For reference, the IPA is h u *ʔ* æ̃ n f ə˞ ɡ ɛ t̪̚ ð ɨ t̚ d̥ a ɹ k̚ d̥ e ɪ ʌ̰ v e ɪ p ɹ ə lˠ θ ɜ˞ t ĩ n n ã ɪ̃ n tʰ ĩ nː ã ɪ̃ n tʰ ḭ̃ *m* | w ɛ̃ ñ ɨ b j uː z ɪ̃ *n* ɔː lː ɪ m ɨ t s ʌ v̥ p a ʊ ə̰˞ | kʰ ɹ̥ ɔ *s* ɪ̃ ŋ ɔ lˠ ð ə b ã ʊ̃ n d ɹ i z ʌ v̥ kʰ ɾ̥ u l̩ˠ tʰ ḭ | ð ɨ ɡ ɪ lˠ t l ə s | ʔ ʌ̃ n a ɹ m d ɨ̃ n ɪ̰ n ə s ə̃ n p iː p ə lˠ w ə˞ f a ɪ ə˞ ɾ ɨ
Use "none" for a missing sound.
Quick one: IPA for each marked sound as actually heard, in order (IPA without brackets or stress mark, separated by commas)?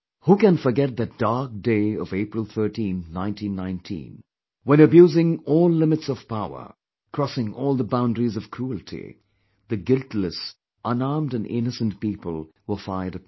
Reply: k, n, ŋ, s